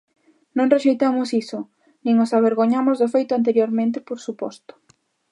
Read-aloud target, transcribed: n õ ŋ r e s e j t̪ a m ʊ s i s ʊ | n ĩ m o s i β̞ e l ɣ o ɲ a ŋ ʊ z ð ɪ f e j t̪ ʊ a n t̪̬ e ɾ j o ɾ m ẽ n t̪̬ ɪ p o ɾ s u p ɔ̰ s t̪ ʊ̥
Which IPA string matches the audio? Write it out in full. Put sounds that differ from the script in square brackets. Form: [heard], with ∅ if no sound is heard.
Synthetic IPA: n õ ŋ r e [ʃ] e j t̪ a m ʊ s i s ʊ | n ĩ [ŋ] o s [a] β̞ e [ɾ] ɣ o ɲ a [m] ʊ z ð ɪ f e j t̪ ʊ a n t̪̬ e ɾ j o ɾ m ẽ n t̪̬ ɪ p o ɾ s u p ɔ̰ s t̪ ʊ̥